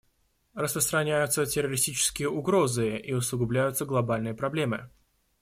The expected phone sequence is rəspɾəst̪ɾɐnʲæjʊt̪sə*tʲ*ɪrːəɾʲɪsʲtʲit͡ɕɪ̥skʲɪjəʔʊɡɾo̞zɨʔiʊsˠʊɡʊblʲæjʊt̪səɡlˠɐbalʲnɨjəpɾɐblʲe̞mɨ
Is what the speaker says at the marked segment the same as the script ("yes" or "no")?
yes